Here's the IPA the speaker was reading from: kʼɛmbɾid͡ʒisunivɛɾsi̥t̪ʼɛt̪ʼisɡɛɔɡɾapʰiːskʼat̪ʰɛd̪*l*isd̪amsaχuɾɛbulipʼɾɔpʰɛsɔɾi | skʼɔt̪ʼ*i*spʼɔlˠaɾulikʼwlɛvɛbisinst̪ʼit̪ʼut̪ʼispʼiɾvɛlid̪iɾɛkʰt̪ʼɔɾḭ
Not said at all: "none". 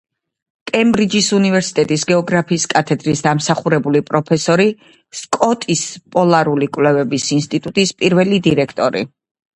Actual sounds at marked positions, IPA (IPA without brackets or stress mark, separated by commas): ɾ, i